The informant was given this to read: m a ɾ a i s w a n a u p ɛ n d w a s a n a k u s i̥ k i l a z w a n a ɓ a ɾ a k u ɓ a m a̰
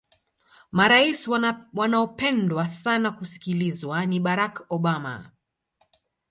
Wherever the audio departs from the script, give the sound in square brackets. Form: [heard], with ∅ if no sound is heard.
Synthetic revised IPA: m a ɾ a i s w a n a [ɔ] p ɛ n d w a s a n a k u s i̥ k i l [i] z w a n [i] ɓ a ɾ a k [ɔ] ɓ a m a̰